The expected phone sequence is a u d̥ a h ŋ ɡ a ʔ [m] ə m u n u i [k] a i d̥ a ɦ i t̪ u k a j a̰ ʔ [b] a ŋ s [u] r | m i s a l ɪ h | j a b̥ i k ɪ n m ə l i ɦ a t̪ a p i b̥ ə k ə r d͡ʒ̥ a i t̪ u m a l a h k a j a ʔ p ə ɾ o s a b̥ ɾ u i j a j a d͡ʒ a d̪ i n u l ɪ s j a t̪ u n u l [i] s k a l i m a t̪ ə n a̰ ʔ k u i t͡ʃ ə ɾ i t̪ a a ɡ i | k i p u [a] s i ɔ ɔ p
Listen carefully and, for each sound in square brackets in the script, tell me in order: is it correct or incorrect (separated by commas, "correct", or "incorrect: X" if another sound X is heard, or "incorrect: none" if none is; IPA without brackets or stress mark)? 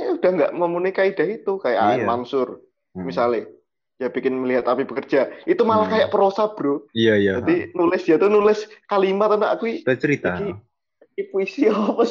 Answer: correct, correct, incorrect: m, incorrect: ʊ, incorrect: ɪ, incorrect: i